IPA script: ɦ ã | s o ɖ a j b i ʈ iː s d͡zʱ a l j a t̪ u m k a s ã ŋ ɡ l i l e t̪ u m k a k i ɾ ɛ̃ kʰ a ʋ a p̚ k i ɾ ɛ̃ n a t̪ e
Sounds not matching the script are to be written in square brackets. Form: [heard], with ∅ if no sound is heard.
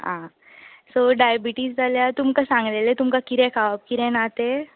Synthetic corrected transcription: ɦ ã | s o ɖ a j b i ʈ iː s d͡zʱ a l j a t̪ u m k a s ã ŋ ɡ l [e] l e t̪ u m k a k i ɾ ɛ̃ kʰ a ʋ a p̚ k i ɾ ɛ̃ n a t̪ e